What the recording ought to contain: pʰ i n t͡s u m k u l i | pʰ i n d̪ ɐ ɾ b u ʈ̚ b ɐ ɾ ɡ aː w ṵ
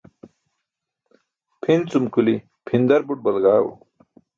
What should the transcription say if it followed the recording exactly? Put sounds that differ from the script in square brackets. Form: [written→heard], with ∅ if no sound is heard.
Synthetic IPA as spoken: pʰ i n t͡s u m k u l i | pʰ i n d̪ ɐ ɾ b u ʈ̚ b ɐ [ɾ→l] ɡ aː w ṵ